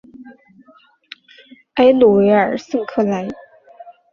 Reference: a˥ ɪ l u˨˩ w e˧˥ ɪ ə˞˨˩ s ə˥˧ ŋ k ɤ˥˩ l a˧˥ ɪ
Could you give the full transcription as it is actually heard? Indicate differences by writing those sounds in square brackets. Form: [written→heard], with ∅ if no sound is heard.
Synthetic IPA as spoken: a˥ ɪ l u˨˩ w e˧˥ ɪ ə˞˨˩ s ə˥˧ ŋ [k→kʰ] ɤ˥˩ l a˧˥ ɪ